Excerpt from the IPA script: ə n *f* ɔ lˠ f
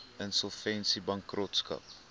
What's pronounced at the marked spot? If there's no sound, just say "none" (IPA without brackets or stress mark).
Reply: s